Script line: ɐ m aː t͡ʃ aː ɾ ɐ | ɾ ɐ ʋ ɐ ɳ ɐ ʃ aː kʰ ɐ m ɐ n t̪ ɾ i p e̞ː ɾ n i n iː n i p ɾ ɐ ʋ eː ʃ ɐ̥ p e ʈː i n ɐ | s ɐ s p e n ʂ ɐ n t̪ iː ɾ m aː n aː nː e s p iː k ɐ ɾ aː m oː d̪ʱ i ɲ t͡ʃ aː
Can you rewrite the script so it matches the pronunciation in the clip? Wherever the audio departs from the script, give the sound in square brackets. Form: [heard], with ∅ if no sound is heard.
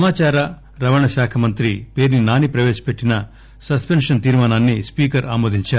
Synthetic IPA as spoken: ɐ m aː t͡ʃ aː ɾ ɐ | ɾ ɐ ʋ ɐ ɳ ɐ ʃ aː kʰ ɐ m ɐ n t̪ ɾ i p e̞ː ɾ n i n [aː] n i p ɾ ɐ ʋ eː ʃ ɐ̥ p e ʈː i n ɐ | s ɐ s p e n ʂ ɐ n t̪ iː ɾ m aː n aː nː [i] s p iː k ɐ ɾ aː m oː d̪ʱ i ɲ t͡ʃ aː